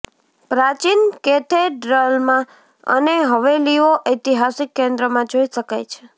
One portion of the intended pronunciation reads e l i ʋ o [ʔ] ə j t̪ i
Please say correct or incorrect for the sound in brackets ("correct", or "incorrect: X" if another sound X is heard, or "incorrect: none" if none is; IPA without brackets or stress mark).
correct